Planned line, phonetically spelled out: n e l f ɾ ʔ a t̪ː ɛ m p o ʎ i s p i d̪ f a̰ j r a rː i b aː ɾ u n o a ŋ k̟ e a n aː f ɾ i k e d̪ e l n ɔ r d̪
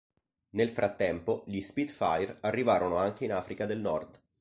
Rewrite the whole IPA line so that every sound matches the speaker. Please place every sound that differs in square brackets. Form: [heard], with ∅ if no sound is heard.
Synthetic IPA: n e l f ɾ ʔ a t̪ː ɛ m p o ʎ i s p i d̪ f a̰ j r a rː i [v] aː ɾ [o] n o a ŋ k̟ e [i] n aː f ɾ i k [a] d̪ e l n ɔ r d̪